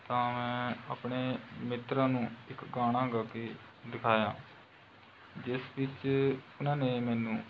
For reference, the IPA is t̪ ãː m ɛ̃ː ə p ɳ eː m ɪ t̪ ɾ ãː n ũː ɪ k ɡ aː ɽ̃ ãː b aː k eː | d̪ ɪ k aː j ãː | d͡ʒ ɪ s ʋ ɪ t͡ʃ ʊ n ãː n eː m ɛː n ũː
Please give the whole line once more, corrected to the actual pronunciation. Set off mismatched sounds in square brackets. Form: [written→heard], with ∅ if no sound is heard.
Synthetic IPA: t̪ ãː m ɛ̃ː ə p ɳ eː m ɪ t̪ ɾ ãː n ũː ɪ k ɡ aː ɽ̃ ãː [b→ɡ] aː k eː | d̪ ɪ [k→kʰ] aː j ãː | d͡ʒ ɪ s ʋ ɪ t͡ʃ ʊ n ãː n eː m ɛː n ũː